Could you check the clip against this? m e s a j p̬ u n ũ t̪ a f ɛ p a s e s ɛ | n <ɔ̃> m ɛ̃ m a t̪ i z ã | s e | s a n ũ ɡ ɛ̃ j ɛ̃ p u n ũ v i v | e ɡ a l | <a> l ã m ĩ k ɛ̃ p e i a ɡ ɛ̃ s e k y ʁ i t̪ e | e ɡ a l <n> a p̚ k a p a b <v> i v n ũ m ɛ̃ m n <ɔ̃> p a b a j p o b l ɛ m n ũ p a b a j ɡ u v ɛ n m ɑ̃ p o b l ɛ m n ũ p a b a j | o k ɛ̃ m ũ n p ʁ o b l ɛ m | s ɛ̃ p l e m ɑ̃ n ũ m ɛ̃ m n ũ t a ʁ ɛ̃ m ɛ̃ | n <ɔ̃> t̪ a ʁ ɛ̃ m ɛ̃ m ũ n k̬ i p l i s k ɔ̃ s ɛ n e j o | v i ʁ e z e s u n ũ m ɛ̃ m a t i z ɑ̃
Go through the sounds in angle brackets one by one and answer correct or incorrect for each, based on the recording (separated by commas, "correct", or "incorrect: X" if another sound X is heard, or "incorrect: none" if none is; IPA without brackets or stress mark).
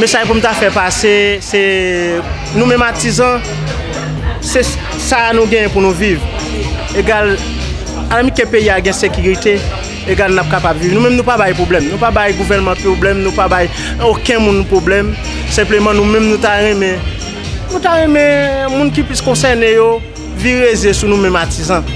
incorrect: ũ, correct, correct, correct, incorrect: ũ, incorrect: ũ